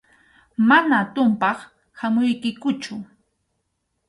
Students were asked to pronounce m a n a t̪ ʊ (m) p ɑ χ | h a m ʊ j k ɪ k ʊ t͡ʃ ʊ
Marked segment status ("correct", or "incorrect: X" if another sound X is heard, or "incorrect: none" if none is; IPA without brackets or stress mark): correct